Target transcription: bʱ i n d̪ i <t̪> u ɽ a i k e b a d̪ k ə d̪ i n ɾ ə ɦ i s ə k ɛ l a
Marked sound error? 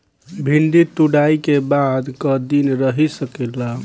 no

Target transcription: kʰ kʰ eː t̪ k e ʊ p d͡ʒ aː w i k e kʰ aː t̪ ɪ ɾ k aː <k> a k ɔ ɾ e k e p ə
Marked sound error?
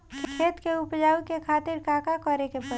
no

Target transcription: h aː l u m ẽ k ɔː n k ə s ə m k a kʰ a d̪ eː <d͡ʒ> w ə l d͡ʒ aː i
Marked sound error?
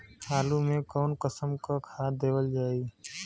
yes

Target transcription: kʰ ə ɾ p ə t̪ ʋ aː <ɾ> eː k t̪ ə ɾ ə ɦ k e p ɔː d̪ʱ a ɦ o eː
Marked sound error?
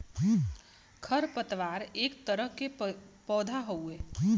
no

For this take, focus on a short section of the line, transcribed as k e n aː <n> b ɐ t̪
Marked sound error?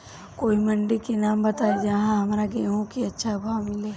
yes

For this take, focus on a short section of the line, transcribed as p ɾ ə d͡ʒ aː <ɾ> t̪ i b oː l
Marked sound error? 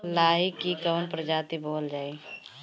yes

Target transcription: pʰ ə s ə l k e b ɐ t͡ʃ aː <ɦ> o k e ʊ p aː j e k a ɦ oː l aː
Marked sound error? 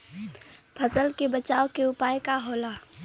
yes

